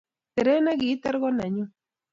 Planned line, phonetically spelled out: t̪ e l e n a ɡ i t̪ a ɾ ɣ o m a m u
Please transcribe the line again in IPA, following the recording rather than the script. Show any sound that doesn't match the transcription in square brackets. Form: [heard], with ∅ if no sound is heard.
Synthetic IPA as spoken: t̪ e [ɾ] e n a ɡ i t̪ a ɾ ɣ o [n] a [ɲ] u